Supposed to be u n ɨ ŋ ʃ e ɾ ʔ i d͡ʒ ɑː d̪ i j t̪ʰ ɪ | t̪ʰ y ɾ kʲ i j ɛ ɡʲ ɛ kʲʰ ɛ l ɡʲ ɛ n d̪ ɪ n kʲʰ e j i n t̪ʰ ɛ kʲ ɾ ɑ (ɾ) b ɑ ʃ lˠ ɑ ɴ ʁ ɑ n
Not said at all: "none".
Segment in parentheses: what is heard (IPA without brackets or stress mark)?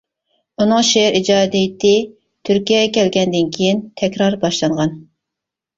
ɾ